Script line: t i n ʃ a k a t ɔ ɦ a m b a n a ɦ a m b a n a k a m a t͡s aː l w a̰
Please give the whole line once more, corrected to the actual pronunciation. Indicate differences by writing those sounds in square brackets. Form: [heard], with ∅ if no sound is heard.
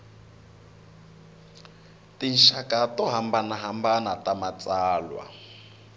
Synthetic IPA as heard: t i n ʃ a k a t ɔ ɦ a m b a n a ɦ a m b a n a [t] a m a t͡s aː l w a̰